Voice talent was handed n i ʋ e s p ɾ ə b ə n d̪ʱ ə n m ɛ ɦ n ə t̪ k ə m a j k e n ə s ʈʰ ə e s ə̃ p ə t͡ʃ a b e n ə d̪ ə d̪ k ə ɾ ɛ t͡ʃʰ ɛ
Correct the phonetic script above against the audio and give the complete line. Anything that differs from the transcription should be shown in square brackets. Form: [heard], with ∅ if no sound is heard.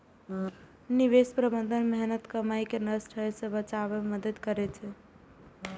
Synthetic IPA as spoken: n i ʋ e s p ɾ ə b ə n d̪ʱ ə n m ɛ ɦ n ə t̪ k ə m a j k e n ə s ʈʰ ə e s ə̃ [b] ə t͡ʃ a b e [m] ə d̪ ə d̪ k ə ɾ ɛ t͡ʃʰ ɛ